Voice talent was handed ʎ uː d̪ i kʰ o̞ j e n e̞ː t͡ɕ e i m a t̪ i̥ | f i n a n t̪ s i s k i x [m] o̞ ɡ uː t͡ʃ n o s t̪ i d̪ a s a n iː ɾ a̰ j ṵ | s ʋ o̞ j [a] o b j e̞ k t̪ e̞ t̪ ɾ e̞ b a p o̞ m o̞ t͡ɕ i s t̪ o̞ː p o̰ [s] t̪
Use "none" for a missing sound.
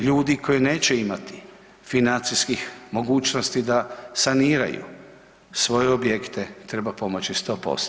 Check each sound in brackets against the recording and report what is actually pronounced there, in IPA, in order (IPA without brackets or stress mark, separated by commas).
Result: m, e, s